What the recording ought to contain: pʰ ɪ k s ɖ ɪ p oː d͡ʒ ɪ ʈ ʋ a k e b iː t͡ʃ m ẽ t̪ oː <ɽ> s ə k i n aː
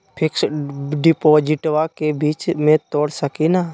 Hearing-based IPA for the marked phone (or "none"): ɽ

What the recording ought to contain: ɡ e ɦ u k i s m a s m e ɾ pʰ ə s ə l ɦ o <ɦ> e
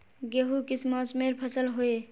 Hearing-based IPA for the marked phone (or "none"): none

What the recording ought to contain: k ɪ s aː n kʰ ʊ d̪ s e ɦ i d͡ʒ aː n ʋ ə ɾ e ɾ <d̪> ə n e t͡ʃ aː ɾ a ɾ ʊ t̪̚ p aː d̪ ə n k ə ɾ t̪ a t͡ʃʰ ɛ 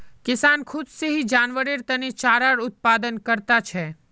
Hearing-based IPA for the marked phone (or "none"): t̪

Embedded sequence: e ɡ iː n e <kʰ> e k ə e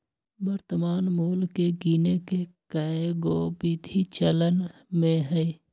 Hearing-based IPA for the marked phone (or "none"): k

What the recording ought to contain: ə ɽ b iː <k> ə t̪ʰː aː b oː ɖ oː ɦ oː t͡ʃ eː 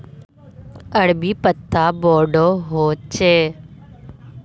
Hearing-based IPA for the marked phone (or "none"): p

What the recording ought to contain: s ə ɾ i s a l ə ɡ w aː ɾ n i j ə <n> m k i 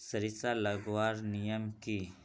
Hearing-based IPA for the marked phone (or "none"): none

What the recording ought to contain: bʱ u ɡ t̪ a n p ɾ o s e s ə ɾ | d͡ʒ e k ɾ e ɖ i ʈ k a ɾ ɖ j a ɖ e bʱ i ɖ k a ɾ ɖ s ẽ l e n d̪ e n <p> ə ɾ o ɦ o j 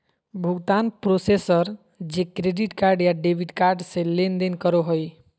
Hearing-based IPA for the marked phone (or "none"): k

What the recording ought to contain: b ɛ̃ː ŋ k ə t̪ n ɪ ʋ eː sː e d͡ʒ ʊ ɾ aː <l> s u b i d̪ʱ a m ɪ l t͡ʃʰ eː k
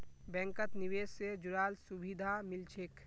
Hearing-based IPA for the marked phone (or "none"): l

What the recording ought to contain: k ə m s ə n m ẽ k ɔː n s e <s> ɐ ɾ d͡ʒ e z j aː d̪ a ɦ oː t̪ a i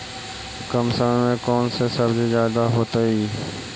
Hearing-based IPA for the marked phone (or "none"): s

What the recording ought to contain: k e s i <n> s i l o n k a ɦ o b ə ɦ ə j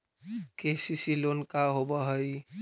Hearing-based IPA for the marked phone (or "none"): none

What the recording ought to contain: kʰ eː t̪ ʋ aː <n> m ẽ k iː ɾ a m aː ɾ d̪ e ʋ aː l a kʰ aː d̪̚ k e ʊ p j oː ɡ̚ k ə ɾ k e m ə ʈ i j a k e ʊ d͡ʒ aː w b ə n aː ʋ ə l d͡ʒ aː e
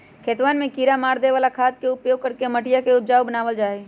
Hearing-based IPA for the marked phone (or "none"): n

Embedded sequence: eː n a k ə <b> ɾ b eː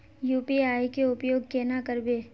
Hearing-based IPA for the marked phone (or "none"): none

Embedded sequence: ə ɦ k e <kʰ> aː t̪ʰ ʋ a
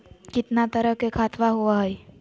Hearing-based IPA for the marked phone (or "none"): kʰ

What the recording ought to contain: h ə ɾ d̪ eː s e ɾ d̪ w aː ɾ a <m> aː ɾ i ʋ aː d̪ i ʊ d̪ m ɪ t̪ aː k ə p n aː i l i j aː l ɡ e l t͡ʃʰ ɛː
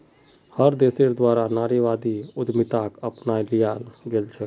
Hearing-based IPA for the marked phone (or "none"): n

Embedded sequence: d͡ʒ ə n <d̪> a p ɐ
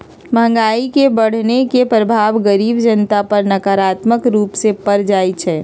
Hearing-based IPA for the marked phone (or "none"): t̪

